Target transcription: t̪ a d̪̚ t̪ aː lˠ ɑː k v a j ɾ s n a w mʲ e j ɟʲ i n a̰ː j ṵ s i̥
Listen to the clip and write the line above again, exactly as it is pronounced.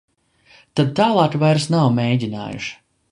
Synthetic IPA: t̪ a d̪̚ t̪ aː lˠ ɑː k v a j ɾ s n a w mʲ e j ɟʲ i n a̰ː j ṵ ʃ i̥